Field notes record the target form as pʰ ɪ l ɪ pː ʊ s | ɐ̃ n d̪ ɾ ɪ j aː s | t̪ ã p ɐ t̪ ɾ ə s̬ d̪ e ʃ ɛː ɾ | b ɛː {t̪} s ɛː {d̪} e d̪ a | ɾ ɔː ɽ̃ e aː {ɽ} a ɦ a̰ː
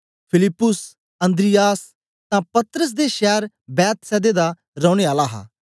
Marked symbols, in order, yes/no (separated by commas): yes, yes, no